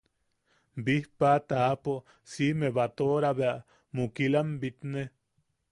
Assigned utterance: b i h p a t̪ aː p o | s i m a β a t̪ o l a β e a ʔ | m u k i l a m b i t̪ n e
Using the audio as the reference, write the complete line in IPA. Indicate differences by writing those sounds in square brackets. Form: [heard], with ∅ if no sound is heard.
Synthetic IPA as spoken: b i h p a t̪ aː p o | s i m [e] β a t̪ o [ɾ] a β e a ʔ | m u k i l a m b i t̪ n e